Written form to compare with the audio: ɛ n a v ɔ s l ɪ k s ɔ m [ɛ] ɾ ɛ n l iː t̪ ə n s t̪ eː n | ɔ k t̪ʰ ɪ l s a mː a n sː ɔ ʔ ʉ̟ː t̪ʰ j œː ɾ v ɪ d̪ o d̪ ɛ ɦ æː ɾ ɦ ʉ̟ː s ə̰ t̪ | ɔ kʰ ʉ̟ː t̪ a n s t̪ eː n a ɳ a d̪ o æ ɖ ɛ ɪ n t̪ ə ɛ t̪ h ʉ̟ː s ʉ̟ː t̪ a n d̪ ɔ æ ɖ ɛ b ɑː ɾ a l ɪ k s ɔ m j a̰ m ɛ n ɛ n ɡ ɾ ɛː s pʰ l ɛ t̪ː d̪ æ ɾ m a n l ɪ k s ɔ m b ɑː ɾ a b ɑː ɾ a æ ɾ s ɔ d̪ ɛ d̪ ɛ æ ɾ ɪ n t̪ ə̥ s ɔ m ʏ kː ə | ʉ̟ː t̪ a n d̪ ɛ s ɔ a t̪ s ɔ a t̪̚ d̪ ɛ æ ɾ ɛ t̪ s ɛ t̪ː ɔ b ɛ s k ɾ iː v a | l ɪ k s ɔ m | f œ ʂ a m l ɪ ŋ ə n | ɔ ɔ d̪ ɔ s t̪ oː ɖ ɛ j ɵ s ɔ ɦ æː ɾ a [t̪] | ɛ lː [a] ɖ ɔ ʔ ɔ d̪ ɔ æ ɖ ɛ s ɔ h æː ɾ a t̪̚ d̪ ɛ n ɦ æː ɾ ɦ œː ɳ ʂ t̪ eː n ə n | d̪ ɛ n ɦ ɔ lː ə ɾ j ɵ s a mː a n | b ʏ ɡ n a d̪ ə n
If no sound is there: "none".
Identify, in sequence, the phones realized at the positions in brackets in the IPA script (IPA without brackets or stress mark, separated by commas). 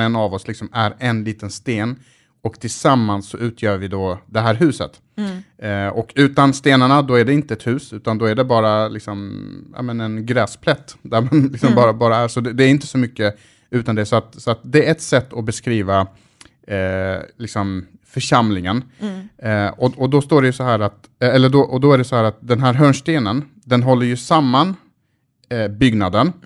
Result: æ, t̪, ə